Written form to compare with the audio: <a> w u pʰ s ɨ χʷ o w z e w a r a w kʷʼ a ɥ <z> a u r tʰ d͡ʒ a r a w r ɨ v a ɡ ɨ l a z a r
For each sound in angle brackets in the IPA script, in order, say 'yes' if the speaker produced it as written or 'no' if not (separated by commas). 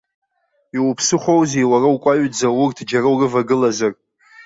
no, no